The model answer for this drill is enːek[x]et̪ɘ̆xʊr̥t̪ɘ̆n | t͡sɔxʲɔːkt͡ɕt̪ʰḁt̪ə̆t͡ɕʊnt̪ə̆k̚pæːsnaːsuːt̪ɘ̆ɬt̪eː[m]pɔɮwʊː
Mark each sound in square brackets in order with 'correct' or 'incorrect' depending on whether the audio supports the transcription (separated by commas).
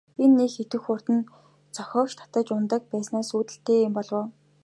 correct, correct